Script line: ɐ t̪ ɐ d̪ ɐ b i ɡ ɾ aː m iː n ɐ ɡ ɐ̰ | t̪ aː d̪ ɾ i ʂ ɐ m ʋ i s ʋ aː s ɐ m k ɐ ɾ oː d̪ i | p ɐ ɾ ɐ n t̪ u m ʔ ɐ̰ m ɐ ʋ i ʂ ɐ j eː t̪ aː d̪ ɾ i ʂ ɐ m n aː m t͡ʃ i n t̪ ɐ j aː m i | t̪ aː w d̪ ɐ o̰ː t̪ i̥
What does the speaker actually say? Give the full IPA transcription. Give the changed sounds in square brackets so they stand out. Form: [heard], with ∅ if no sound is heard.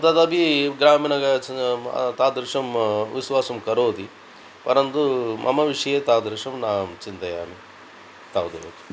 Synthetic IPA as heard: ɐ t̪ ɐ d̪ ɐ b i ɡ ɾ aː m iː n ɐ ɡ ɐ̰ | t̪ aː d̪ ɾ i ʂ ɐ m ʋ i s ʋ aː s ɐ m k ɐ ɾ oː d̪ i | p ɐ ɾ ɐ n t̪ u m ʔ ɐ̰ m ɐ ʋ i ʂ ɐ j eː t̪ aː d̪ ɾ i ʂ ɐ m n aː m t͡ʃ i n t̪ ɐ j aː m i | t̪ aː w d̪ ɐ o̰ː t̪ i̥

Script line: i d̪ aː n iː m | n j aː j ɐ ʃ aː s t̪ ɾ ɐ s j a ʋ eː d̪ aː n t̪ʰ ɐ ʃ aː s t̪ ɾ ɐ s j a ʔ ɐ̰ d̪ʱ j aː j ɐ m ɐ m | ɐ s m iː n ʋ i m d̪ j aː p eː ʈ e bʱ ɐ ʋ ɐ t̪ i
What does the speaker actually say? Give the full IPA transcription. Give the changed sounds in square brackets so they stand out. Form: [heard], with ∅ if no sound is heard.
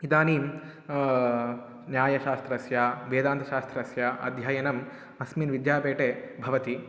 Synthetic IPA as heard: i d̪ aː n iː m | n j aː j ɐ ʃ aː s t̪ ɾ ɐ s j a ʋ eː d̪ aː n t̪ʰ ɐ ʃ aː s t̪ ɾ ɐ s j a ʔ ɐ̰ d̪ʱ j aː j ɐ [n] ɐ m | ɐ s m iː n ʋ i [∅] d̪ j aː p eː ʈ e bʱ ɐ ʋ ɐ t̪ i

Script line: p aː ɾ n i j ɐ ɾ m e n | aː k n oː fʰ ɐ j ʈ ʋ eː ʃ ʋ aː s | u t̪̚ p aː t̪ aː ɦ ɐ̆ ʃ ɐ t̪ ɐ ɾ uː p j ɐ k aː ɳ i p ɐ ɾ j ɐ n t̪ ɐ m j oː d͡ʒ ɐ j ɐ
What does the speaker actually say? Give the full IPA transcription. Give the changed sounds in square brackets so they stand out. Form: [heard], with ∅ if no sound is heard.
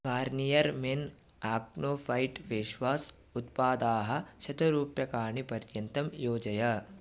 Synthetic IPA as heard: [k] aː ɾ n i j ɐ ɾ m e n | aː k n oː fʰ ɐ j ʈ ʋ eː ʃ ʋ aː s | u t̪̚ p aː [d̪] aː ɦ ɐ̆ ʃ ɐ t̪ ɐ ɾ uː p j ɐ k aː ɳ i p ɐ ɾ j ɐ n t̪ ɐ m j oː d͡ʒ ɐ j ɐ

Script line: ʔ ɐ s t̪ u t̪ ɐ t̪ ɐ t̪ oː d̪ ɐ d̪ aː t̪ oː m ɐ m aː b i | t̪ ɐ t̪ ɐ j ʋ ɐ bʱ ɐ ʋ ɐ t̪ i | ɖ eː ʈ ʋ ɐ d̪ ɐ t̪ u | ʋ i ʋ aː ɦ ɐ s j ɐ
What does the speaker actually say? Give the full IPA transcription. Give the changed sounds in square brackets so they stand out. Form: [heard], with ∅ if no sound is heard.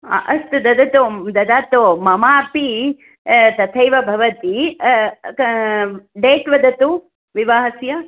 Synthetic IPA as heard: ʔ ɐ s t̪ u [d̪] ɐ [d̪] ɐ t̪ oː d̪ ɐ d̪ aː t̪ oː m ɐ m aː [p] i | t̪ ɐ [t̪ʰ] ɐ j ʋ ɐ bʱ ɐ ʋ ɐ t̪ i | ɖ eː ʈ ʋ ɐ d̪ ɐ t̪ u | ʋ i ʋ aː ɦ ɐ s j ɐ

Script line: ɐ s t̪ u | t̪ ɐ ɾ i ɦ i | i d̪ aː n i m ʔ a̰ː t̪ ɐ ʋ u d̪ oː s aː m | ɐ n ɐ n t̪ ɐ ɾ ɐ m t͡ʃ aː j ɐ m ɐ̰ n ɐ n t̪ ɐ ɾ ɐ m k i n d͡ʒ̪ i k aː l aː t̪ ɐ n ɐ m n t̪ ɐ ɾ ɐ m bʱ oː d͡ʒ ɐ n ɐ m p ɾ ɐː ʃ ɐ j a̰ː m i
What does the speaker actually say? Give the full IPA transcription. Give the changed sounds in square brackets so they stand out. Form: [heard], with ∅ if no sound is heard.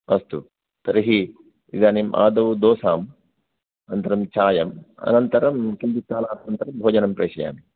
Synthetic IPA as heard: ɐ s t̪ u | t̪ ɐ ɾ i ɦ i | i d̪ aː n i m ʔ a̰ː [d̪] ɐ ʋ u d̪ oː s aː m | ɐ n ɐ n t̪ ɐ ɾ ɐ m t͡ʃ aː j ɐ m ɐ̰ n ɐ n t̪ ɐ ɾ ɐ m k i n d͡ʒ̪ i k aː l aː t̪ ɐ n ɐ [∅] n t̪ ɐ ɾ ɐ m bʱ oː d͡ʒ ɐ n ɐ m p ɾ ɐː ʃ ɐ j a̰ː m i

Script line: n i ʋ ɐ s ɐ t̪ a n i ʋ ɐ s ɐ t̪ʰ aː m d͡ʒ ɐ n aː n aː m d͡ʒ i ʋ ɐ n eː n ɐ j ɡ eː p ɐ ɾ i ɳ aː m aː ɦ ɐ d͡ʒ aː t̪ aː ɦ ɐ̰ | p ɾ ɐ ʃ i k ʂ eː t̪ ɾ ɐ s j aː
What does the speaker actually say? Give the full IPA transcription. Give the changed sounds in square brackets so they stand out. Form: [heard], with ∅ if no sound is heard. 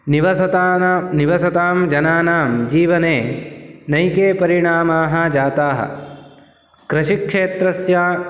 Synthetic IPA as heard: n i ʋ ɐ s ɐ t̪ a n i ʋ ɐ s ɐ [t̪] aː m d͡ʒ ɐ n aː n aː m d͡ʒ [iː] ʋ ɐ n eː n ɐ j [k] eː p ɐ ɾ i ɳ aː m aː ɦ ɐ d͡ʒ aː t̪ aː ɦ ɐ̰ | [k] ɾ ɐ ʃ i k ʂ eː t̪ ɾ ɐ s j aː

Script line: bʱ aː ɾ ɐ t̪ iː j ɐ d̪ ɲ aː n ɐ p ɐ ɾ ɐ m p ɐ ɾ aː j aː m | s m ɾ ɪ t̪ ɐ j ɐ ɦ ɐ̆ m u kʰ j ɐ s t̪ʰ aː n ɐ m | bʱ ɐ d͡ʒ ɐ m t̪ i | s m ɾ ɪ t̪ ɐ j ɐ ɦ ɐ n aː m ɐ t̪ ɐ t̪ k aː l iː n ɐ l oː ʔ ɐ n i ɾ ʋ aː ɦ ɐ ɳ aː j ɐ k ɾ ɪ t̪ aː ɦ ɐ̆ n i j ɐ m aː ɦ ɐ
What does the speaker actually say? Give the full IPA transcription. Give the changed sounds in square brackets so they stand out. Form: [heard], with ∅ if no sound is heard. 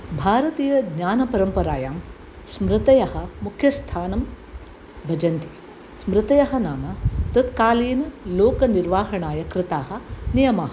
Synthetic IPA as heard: bʱ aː ɾ ɐ t̪ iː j ɐ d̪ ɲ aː n ɐ p ɐ ɾ ɐ m p ɐ ɾ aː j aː m | s m ɾ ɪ t̪ ɐ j ɐ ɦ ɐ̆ m u kʰ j ɐ s t̪ʰ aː n ɐ m | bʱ ɐ d͡ʒ ɐ [n] t̪ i | s m ɾ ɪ t̪ ɐ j ɐ ɦ ɐ n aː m ɐ t̪ ɐ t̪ k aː l iː n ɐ l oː [k] ɐ n i ɾ ʋ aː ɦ ɐ ɳ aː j ɐ k ɾ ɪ t̪ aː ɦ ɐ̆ n i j ɐ m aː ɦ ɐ

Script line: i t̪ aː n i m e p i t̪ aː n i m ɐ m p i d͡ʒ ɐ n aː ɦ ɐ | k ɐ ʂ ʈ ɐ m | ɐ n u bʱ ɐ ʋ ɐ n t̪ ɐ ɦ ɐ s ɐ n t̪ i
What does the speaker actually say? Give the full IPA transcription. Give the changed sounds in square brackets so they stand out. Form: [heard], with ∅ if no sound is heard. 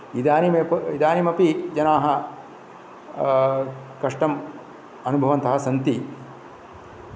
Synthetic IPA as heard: i [d̪] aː n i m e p i [d̪] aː n i m ɐ [∅] p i d͡ʒ ɐ n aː ɦ ɐ | k ɐ ʂ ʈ ɐ m | ɐ n u bʱ ɐ ʋ ɐ n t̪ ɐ ɦ ɐ s ɐ n t̪ i

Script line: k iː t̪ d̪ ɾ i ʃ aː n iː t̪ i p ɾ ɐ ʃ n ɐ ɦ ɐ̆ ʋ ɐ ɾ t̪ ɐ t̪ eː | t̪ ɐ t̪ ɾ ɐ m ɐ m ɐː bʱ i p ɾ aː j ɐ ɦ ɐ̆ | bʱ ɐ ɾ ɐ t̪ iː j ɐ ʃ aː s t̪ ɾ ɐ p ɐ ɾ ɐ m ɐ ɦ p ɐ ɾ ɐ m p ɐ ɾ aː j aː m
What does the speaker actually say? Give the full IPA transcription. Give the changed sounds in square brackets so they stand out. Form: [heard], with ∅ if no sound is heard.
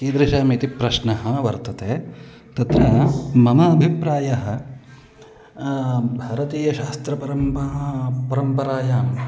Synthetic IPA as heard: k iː [∅] d̪ ɾ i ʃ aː [m] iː t̪ i p ɾ ɐ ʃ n ɐ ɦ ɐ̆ ʋ ɐ ɾ t̪ ɐ t̪ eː | t̪ ɐ t̪ ɾ ɐ m ɐ m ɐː bʱ i p ɾ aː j ɐ ɦ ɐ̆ | bʱ ɐ ɾ ɐ t̪ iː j ɐ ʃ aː s t̪ ɾ ɐ p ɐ ɾ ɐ m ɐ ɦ p ɐ ɾ ɐ m p ɐ ɾ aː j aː m

